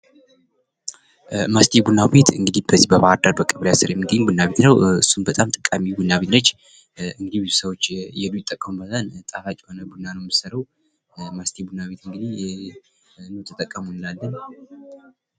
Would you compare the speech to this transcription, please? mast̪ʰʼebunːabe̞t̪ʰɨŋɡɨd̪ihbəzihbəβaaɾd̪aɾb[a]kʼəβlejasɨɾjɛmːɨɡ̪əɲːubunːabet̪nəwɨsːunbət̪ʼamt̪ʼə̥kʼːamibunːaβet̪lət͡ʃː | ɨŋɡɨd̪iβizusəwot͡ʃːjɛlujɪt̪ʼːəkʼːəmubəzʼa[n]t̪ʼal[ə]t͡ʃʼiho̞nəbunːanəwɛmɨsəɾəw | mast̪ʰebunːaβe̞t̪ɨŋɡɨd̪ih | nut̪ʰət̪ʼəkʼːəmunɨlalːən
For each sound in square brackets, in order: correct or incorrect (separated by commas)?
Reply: incorrect, correct, incorrect